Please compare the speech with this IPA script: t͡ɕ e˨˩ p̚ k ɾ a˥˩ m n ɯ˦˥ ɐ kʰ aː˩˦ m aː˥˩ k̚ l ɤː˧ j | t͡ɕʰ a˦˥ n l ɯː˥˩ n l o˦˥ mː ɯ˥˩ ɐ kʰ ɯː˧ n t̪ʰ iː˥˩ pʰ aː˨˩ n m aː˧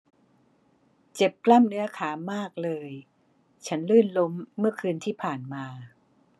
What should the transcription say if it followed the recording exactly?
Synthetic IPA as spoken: t͡ɕ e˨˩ p̚ k l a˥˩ m n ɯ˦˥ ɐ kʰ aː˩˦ m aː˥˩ k̚ l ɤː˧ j | t͡ɕʰ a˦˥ n l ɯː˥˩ n l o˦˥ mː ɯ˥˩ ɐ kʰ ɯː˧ n t̪ʰ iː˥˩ pʰ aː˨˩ n m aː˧